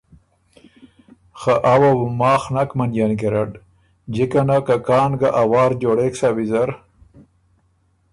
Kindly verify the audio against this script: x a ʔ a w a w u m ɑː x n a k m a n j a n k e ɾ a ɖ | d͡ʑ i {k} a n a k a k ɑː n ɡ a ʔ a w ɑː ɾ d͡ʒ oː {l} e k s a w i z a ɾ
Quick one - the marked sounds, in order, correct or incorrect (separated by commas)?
correct, incorrect